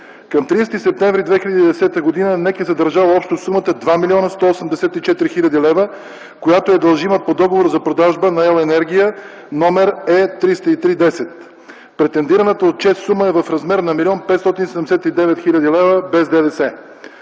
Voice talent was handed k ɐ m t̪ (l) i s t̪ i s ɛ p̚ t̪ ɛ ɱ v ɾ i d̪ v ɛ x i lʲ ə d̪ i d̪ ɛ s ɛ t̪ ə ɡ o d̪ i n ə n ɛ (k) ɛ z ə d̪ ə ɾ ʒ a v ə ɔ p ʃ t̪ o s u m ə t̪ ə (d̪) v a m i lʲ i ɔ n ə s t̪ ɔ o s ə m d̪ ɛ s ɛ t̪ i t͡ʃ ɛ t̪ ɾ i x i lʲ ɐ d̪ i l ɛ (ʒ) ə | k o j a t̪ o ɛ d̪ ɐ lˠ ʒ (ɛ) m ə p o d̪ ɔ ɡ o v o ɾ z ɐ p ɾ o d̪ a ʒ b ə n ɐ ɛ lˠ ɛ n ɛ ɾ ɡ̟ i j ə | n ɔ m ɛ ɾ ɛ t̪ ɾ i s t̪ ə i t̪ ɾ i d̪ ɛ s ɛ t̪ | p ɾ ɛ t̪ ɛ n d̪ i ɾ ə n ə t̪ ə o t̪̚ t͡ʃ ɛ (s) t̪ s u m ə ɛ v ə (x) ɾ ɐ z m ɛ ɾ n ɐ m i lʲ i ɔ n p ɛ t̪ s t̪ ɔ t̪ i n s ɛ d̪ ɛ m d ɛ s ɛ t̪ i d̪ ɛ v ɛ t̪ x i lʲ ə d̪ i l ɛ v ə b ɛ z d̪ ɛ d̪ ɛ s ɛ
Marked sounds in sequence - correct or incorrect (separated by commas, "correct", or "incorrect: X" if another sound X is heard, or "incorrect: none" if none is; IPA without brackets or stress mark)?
incorrect: ɾ, correct, correct, incorrect: v, incorrect: i, correct, incorrect: f